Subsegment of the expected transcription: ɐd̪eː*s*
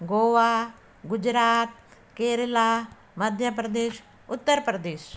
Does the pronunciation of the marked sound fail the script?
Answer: yes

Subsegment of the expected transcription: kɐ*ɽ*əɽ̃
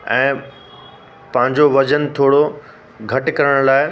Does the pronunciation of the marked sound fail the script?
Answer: yes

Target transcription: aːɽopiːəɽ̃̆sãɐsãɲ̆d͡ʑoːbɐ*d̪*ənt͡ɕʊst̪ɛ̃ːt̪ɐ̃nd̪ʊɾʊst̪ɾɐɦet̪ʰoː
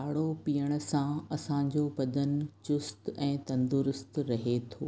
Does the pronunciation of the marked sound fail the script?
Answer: no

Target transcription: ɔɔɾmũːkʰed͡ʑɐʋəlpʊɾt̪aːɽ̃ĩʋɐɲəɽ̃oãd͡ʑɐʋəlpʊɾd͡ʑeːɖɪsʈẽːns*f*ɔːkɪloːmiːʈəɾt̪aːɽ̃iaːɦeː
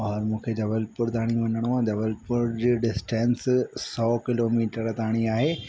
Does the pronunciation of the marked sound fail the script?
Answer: yes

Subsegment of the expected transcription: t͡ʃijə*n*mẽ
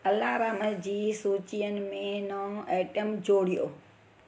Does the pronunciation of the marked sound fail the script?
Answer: no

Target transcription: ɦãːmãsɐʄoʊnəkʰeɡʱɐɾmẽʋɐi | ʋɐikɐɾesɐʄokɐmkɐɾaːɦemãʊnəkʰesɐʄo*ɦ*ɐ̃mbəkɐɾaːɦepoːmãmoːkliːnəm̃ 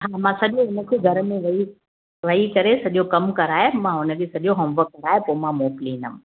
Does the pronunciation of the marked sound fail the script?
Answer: no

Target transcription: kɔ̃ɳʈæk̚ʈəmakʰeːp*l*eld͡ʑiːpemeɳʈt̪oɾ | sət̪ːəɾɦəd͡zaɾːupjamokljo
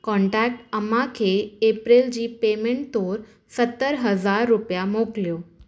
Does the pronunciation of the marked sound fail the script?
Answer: yes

